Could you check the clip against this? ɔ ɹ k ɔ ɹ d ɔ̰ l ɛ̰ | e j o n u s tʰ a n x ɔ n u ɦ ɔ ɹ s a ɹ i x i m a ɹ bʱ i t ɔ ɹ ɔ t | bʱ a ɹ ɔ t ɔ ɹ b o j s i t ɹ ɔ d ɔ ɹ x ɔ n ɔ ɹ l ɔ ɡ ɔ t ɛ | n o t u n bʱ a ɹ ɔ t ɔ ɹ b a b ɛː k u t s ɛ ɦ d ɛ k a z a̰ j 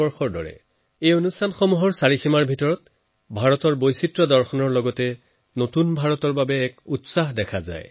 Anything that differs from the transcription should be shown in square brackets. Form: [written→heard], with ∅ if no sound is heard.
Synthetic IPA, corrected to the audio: ɔ ɹ [k→x] ɔ ɹ d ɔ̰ [l→ɹ] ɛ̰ | e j o n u s tʰ a n x ɔ [n→m] u ɦ ɔ ɹ s a ɹ i x i m a ɹ bʱ i t ɔ ɹ ɔ t | bʱ a ɹ ɔ t ɔ ɹ b o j s i t ɹ ɔ d ɔ ɹ x ɔ n ɔ ɹ l ɔ ɡ ɔ t ɛ | n o t u n bʱ a ɹ ɔ t ɔ ɹ b a b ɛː k u t s [ɛ→a] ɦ d ɛ [k→kʰ] a z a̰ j